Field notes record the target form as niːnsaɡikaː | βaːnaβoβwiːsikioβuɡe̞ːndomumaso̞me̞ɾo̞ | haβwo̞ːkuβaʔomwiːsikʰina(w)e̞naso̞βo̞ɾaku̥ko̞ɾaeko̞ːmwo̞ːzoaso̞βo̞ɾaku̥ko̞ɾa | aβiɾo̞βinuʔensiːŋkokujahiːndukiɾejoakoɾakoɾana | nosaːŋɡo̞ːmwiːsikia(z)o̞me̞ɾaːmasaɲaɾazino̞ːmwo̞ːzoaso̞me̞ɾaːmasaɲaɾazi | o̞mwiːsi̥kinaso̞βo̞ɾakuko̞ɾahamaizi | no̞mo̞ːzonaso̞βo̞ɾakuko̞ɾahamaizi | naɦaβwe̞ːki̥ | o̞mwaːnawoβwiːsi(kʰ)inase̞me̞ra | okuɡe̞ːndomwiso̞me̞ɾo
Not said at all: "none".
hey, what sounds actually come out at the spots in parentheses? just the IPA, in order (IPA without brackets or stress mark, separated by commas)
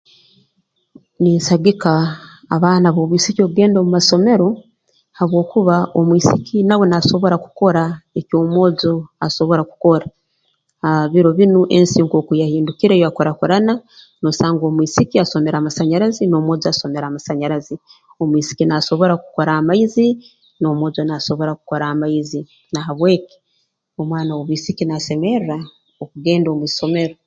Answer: w, s, k